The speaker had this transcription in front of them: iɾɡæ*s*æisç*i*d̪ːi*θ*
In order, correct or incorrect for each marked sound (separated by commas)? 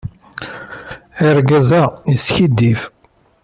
incorrect, correct, incorrect